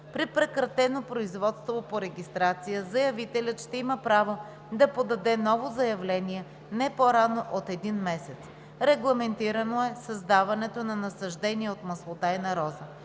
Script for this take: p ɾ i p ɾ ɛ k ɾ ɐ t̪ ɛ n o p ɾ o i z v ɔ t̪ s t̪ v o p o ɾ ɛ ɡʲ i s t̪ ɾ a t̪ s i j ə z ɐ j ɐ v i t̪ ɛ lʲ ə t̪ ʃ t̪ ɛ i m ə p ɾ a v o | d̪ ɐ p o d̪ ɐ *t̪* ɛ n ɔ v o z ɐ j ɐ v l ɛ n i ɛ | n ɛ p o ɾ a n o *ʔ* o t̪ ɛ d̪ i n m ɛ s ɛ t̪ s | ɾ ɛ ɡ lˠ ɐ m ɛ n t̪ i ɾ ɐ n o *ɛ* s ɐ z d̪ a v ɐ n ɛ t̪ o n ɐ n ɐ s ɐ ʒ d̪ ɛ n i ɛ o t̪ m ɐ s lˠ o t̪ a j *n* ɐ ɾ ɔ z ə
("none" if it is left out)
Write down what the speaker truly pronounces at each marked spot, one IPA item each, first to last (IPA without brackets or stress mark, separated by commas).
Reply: d̪, ʔ, ɛ, n